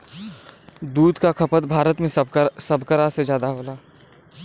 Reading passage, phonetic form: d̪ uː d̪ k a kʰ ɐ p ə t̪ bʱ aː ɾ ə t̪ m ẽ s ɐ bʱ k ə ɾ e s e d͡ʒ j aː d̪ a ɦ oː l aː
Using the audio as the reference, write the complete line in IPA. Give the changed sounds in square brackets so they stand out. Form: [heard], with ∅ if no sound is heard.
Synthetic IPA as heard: d̪ uː d̪ k a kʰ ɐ p ə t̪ bʱ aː ɾ ə t̪ m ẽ s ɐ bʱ k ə ɾ [a] s e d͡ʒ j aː d̪ a ɦ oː l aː